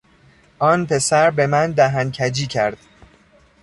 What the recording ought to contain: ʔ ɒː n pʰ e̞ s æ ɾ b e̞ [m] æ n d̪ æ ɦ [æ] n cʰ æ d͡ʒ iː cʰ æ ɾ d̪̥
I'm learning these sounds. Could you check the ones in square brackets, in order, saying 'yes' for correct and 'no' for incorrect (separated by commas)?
yes, yes